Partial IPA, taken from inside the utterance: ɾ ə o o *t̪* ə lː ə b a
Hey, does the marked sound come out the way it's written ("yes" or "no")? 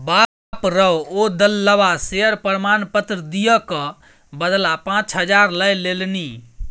no